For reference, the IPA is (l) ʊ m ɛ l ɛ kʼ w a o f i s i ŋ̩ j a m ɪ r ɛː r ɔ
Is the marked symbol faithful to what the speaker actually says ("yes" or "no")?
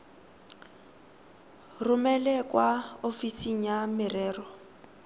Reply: no